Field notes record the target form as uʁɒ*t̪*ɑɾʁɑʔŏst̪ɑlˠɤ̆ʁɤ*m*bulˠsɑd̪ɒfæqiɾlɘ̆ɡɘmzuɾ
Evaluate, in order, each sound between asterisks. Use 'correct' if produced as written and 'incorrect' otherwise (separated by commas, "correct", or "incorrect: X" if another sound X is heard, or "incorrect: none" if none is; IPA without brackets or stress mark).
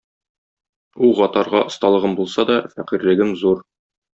correct, correct